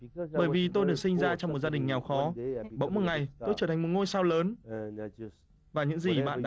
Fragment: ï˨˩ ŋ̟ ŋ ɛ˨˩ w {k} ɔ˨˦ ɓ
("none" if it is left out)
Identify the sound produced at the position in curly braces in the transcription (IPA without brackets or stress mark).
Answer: x